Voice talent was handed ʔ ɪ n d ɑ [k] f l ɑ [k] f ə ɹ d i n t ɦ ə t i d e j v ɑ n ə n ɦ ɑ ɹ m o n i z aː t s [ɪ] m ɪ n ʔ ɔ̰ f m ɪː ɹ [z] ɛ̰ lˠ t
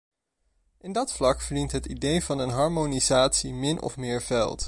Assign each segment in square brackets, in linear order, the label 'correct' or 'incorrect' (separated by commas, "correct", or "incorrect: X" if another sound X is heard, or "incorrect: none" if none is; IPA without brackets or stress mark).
incorrect: t, correct, incorrect: i, incorrect: v